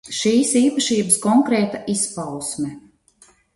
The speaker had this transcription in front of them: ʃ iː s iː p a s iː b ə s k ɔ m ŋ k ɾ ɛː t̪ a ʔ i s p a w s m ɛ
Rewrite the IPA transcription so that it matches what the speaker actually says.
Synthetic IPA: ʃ iː s iː p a ʃ iː b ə s k ɔ ŋ k ɾ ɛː t̪ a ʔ i s p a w s m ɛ